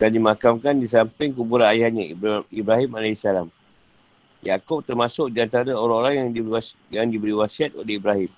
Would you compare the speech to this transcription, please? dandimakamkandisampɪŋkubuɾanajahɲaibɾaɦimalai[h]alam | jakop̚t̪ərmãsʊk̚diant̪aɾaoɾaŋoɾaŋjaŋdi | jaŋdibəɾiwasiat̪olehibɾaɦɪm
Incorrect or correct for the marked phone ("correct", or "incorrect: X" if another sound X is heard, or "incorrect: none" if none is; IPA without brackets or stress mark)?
incorrect: s